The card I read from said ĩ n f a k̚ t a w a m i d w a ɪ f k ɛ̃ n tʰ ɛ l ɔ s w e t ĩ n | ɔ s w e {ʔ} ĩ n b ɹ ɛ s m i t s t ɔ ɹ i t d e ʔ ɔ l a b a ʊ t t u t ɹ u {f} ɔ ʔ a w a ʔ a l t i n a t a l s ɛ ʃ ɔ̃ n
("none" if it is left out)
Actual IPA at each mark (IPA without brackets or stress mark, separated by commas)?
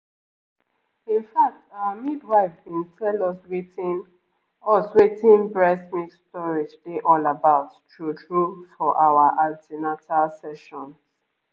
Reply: t, f